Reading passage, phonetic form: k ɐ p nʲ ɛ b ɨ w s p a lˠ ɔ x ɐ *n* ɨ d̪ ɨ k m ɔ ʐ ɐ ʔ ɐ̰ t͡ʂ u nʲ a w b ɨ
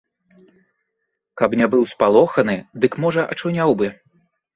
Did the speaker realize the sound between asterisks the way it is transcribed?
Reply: yes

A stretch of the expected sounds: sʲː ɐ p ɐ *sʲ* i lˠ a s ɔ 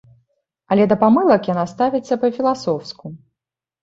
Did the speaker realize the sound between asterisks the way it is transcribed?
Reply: no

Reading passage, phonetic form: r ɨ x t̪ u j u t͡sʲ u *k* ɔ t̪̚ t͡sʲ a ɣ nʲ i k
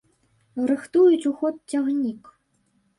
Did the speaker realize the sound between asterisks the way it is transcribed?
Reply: no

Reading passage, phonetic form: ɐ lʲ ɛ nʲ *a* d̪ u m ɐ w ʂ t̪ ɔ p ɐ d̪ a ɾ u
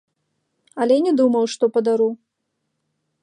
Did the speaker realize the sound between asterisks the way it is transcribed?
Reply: no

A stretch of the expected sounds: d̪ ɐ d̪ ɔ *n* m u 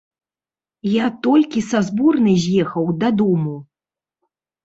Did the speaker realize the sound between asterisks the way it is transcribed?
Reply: no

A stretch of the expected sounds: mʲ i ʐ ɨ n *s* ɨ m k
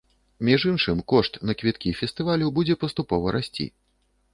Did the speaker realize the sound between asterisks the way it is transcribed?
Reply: no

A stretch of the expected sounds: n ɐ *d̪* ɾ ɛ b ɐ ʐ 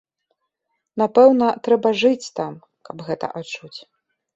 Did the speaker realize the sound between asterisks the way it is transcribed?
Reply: no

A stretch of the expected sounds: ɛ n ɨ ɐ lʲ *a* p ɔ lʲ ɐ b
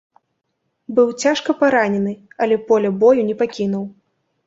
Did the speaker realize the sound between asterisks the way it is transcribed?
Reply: no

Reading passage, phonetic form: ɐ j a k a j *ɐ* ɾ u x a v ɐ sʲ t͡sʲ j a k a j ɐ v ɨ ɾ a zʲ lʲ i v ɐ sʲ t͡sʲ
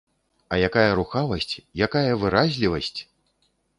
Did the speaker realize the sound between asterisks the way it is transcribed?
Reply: yes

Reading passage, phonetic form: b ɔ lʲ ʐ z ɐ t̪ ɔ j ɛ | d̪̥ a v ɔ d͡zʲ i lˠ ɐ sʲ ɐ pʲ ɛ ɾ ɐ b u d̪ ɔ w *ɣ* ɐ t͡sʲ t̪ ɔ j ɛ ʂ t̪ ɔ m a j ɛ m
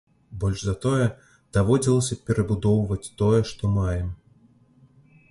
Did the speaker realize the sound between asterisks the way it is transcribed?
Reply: no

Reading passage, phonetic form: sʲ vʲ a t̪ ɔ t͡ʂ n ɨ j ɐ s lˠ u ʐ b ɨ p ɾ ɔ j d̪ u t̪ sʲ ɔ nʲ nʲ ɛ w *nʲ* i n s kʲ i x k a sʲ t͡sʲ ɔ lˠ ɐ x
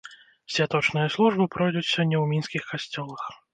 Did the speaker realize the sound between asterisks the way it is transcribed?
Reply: no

